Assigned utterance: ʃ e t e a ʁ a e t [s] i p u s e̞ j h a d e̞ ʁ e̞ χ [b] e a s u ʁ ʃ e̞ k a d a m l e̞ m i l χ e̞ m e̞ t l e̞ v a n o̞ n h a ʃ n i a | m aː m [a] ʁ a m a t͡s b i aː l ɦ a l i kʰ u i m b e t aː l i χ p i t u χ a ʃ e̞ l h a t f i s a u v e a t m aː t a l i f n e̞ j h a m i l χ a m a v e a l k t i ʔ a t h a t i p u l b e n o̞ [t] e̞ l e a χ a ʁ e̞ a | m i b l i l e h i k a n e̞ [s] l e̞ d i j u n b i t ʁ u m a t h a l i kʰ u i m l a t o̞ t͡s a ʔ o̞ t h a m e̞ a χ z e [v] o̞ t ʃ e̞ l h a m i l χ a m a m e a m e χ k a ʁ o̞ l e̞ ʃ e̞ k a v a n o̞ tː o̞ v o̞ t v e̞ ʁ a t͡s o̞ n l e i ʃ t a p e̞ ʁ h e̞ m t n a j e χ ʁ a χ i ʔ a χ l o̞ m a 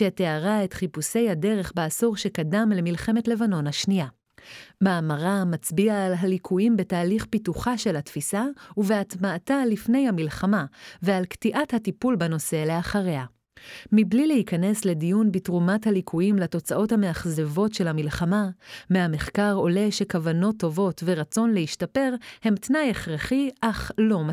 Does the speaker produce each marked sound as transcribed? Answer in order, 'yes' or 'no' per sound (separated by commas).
no, yes, yes, no, yes, yes